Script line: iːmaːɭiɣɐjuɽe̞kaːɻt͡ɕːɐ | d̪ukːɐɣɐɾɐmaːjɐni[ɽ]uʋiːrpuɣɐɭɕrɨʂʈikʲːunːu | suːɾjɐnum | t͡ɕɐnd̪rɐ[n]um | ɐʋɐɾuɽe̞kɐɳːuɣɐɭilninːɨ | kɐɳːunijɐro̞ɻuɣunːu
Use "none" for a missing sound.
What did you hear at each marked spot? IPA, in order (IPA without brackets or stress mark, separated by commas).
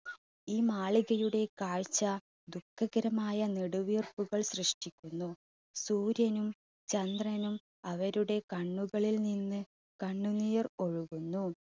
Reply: ɽ, n